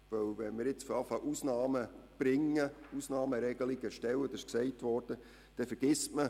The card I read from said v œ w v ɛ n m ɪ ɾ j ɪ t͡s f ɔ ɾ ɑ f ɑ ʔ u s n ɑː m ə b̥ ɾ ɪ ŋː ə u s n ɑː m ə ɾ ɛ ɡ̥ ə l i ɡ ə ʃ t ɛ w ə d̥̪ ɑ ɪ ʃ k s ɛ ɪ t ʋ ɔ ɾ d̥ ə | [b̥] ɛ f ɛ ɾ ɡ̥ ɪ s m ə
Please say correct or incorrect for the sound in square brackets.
incorrect